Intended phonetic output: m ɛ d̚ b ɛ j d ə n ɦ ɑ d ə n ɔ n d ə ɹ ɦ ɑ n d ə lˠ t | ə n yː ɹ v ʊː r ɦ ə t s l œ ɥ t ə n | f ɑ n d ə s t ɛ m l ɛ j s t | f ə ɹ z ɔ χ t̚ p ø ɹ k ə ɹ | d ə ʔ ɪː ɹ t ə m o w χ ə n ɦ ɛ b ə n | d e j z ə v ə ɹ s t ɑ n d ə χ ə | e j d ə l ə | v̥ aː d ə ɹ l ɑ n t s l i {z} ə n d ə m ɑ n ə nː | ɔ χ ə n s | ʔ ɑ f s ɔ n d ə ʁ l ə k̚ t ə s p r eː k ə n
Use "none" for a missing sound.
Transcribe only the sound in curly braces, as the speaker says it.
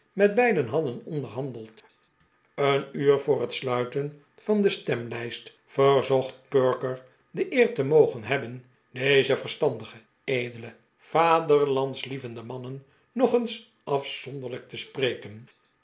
v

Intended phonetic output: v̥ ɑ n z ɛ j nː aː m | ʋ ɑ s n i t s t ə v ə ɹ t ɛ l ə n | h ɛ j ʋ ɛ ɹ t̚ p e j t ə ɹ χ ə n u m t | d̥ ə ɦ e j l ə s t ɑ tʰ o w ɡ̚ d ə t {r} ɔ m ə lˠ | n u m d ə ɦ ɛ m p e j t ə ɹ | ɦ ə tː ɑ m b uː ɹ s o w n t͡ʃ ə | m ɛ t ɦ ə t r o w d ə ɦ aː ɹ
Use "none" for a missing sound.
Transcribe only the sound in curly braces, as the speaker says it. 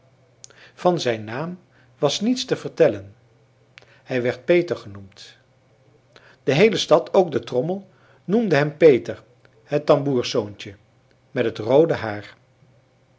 r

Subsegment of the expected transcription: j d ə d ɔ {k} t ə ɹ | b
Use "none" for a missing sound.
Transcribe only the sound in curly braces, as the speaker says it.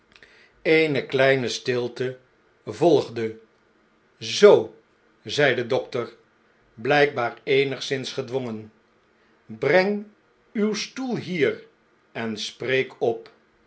k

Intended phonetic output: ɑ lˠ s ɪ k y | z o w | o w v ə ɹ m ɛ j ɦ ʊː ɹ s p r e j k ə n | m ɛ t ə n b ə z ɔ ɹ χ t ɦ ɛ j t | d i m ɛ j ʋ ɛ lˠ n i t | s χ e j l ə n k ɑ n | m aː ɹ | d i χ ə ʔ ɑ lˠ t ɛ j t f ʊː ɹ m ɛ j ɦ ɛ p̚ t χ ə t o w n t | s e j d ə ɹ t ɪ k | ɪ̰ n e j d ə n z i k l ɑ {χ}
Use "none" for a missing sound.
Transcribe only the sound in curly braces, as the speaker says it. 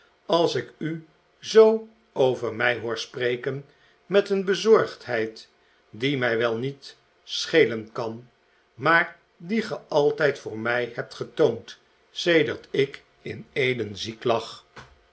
χ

